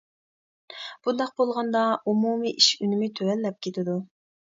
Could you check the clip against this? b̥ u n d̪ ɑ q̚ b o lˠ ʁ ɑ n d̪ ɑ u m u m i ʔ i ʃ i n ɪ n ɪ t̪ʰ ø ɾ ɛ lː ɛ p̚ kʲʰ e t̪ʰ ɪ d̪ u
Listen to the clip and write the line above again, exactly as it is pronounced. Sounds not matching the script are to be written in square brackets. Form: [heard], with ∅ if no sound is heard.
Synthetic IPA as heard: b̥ u n d̪ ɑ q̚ b o lˠ ʁ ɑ n d̪ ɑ u m u m i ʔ i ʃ [y] n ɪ [m] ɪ t̪ʰ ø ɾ ɛ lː ɛ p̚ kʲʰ e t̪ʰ ɪ d̪ u

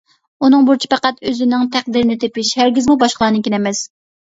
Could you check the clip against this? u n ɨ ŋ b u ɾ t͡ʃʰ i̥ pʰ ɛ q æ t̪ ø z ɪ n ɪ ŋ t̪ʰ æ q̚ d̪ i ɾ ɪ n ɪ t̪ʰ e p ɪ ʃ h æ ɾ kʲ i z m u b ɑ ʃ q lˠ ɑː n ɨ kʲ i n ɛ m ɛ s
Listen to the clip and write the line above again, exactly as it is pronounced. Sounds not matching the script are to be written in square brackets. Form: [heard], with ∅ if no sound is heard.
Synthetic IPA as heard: u n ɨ ŋ b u ɾ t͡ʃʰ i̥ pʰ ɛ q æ t̪ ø z ɪ n ɪ ŋ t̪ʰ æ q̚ d̪ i ɾ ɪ n ɪ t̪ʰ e p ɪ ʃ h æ ɾ [ɡʲ] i z m u b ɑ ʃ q lˠ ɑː n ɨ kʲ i n ɛ m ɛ s

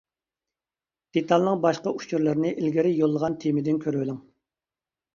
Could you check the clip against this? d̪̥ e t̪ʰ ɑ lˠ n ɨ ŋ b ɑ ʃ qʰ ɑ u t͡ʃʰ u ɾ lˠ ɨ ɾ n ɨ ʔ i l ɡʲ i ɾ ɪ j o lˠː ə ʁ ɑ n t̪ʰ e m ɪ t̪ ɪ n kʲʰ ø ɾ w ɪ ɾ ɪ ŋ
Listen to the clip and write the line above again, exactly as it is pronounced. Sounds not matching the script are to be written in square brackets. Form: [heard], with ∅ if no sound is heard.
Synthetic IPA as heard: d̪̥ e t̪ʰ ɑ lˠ n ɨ ŋ b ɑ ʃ [q] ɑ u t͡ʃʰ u ɾ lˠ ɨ ɾ n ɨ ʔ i l ɡʲ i ɾ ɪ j o lˠː ə ʁ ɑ n t̪ʰ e m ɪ [d̪] ɪ n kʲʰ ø ɾ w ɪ [l] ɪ ŋ

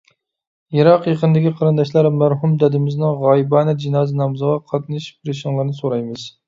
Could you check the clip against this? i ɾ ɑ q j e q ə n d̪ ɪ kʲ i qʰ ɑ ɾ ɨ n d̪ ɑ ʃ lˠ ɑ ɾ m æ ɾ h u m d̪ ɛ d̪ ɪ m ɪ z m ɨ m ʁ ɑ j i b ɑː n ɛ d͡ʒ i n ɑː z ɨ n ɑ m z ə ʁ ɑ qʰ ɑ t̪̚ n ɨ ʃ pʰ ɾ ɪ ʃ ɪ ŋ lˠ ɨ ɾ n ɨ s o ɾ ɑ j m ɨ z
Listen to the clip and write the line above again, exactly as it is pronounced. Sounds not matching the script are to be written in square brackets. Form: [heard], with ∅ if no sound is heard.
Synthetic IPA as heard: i ɾ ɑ q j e q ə n d̪ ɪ kʲ i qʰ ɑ ɾ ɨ n d̪ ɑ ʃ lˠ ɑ ɾ m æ ɾ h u m d̪ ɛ d̪ ɪ m ɪ z [n] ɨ [ŋ] ʁ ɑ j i b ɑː n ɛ d͡ʒ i n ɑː z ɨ n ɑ m z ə ʁ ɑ qʰ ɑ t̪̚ n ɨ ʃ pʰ ɾ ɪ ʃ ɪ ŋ lˠ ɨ ɾ n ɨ s o ɾ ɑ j m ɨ z

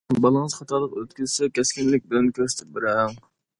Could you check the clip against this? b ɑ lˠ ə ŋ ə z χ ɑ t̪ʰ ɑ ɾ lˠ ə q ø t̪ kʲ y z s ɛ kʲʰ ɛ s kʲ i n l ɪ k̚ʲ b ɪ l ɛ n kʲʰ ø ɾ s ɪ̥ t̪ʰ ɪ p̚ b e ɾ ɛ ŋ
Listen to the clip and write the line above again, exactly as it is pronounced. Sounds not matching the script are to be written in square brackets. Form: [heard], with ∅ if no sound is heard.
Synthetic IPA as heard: b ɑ lˠ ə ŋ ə z χ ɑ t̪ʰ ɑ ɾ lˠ ə q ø t̪ kʲ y z s ɛ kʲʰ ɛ s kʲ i n l ɪ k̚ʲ b ɪ l ɛ n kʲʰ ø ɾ s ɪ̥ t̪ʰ ɪ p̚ b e ɾ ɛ ŋ

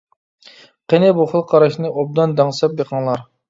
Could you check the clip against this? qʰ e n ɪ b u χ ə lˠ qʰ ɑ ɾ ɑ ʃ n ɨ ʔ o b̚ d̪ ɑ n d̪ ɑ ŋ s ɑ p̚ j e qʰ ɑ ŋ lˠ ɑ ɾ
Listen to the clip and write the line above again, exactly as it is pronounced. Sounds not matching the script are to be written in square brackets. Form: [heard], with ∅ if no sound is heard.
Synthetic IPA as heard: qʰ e n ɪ b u χ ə lˠ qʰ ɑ ɾ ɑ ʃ n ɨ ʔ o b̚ d̪ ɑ n d̪ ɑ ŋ s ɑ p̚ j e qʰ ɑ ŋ lˠ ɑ ɾ

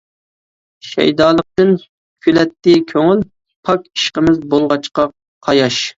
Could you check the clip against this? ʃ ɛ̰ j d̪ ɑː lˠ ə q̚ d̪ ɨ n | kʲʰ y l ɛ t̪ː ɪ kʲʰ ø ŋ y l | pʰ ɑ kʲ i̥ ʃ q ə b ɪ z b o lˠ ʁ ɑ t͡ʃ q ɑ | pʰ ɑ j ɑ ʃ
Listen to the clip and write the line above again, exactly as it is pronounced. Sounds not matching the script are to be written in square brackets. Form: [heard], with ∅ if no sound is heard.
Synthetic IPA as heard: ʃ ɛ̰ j d̪ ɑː lˠ ə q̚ [t̪] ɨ n | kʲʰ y l ɛ t̪ː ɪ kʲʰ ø ŋ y l | pʰ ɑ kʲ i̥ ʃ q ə [m] ɪ z b o lˠ ʁ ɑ t͡ʃ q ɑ | [qʰ] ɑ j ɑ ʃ

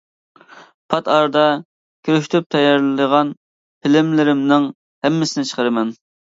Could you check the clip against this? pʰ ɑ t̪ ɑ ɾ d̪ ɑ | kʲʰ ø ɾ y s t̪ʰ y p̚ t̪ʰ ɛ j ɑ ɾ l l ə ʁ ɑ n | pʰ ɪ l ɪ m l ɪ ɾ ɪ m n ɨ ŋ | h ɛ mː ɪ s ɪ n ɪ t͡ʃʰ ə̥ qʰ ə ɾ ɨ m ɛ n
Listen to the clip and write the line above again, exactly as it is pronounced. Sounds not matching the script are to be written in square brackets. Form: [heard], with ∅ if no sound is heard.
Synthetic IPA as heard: pʰ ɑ t̪ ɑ ɾ d̪ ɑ | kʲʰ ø ɾ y [ʃ] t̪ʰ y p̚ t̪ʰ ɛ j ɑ ɾ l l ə ʁ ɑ n | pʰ ɪ l ɪ m l ɪ ɾ ɪ m n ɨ ŋ | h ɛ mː ɪ s ɪ n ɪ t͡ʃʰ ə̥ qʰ ə ɾ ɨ m ɛ n

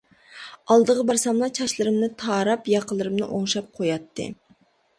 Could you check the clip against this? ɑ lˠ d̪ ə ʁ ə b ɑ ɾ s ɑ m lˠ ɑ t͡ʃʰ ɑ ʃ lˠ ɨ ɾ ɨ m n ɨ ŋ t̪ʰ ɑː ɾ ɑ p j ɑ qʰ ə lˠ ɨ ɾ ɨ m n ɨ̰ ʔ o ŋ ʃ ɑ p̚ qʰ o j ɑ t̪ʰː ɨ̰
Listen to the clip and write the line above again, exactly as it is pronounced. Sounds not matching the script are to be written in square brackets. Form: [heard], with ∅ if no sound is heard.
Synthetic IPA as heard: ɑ lˠ d̪ ə ʁ ə b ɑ ɾ s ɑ m lˠ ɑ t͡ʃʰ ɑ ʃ lˠ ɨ ɾ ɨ m n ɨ [∅] t̪ʰ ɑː ɾ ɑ p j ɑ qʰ ə lˠ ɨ ɾ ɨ m n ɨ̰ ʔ o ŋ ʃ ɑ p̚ qʰ o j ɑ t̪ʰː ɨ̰

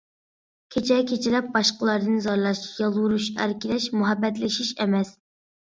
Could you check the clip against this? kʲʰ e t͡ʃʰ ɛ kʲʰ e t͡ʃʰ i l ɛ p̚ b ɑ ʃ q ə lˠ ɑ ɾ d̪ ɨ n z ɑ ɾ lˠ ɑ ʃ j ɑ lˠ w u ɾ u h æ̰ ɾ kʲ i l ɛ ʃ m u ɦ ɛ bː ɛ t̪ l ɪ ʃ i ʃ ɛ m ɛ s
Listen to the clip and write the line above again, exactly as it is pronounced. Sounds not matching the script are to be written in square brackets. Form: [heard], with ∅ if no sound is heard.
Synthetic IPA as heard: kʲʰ e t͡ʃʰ ɛ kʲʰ e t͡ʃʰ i l ɛ p̚ b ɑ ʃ q ə lˠ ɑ ɾ d̪ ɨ n z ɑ ɾ lˠ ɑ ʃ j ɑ lˠ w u ɾ u [ʃ] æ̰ ɾ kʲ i l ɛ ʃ m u ɦ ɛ bː ɛ t̪ l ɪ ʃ i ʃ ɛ m ɛ s

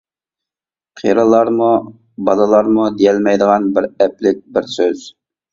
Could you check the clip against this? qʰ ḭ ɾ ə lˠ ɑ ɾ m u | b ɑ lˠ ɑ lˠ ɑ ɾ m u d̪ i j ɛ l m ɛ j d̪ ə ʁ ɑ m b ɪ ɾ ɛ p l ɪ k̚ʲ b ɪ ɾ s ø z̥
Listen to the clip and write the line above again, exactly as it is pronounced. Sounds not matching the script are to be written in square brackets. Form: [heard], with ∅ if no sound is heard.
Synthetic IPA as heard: qʰ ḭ ɾ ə lˠ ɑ ɾ m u | b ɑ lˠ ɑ lˠ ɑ ɾ m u d̪ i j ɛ l m ɛ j d̪ ə ʁ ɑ [n] b ɪ ɾ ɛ p l ɪ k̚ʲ b ɪ ɾ s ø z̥

